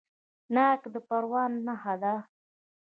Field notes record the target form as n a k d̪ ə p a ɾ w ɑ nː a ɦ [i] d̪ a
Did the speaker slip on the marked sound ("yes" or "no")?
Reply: yes